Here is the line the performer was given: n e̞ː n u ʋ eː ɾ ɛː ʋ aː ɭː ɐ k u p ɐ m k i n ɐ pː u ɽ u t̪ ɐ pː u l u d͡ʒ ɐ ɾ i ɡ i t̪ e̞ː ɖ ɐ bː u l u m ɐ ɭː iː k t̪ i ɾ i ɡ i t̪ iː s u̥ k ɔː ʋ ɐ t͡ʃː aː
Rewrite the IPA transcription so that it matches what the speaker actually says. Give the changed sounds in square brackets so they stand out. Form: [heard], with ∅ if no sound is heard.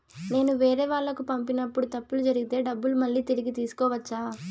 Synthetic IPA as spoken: n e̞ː n u ʋ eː ɾ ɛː ʋ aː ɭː ɐ k u p ɐ m [p] i n ɐ pː u ɽ u t̪ ɐ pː u l u d͡ʒ ɐ ɾ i ɡ i t̪ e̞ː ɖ ɐ bː u l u m ɐ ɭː iː [∅] t̪ i ɾ i ɡ i t̪ iː s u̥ k ɔː ʋ ɐ t͡ʃː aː